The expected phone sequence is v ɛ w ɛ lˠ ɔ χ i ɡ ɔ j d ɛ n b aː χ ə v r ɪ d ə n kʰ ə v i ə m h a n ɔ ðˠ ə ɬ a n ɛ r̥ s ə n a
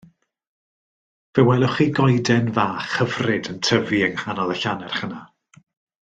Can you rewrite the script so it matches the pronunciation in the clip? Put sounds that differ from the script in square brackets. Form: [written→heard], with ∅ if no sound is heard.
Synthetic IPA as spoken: v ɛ w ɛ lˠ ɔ χ i ɡ ɔ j d ɛ n [b→v] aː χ ə v r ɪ d ə n [kʰ→tʰ] ə v i ə [m→ŋ] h a n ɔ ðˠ ə ɬ a n ɛ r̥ [s→χ] ə n a